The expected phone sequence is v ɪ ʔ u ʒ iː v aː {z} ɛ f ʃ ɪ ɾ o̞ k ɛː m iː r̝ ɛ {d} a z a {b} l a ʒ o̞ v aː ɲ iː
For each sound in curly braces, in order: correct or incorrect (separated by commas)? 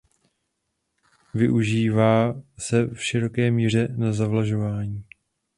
incorrect, incorrect, incorrect